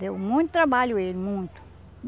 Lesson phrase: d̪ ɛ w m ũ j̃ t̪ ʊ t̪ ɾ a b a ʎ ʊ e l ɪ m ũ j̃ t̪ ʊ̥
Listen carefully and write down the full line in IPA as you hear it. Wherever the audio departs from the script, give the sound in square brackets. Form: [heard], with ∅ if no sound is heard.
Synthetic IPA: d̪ [e] w m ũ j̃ t̪ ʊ t̪ ɾ a b a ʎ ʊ e l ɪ m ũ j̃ t̪ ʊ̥